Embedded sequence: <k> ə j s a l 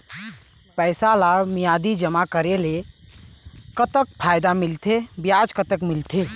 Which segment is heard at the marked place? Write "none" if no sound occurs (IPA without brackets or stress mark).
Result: p